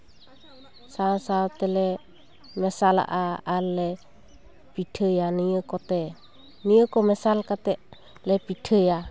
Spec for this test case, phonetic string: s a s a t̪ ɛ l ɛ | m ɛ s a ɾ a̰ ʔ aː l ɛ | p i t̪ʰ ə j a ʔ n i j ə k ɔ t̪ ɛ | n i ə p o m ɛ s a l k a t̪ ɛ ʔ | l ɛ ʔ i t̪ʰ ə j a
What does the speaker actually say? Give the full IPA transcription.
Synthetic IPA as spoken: s a s a t̪ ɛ l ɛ | m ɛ s a l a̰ ʔ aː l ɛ | p i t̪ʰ ə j a n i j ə k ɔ t̪ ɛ | n i ə k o m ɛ s a l k a t̪ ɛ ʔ | l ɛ p i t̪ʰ ə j a